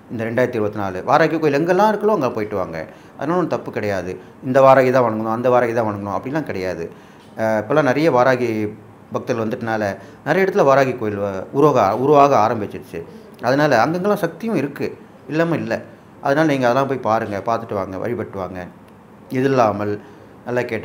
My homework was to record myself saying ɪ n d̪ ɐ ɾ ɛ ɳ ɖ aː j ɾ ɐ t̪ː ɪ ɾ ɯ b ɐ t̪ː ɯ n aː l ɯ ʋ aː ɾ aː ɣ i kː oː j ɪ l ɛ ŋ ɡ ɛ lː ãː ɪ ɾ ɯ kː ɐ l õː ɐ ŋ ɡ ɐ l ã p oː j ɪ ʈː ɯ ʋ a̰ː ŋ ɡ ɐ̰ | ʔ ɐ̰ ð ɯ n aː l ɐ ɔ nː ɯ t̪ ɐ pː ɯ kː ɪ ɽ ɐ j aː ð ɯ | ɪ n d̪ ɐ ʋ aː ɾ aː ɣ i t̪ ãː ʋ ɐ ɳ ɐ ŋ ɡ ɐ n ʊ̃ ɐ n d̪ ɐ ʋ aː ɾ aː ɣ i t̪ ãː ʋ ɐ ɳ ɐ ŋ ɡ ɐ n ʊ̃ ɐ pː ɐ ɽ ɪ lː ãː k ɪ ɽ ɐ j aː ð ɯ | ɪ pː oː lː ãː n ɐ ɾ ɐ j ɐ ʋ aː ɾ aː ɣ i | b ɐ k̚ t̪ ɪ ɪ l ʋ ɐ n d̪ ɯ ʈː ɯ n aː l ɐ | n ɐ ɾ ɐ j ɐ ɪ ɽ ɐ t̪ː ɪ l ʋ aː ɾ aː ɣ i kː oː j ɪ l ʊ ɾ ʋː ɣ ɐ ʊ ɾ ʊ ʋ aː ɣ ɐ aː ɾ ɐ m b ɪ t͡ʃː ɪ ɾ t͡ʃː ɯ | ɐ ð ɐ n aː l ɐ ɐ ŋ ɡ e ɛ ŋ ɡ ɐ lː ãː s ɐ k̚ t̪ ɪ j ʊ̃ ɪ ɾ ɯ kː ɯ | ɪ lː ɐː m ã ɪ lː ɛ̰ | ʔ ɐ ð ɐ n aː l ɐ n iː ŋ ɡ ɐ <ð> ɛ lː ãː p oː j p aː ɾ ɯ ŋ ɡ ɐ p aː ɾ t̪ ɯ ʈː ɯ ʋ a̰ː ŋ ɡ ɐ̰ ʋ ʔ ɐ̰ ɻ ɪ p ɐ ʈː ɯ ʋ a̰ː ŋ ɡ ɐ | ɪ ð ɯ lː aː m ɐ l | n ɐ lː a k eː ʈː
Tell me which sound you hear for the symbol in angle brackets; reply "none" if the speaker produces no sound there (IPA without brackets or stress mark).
ð